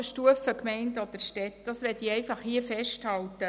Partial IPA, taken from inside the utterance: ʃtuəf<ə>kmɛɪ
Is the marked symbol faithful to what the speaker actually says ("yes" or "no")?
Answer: yes